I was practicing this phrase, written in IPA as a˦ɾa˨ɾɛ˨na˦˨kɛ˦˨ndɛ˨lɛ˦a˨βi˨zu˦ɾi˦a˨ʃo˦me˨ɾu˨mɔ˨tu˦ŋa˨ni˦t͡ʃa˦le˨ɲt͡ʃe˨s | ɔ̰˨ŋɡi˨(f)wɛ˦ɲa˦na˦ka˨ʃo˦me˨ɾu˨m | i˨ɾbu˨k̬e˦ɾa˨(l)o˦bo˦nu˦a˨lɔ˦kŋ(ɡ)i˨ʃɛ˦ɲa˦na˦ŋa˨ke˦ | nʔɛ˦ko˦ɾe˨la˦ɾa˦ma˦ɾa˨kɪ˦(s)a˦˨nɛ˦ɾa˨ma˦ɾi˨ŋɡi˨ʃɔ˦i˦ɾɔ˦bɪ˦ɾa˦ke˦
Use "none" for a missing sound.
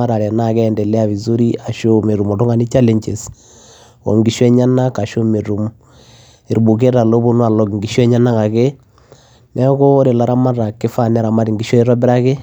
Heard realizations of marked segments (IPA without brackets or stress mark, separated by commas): ʃ, l, ɡ, f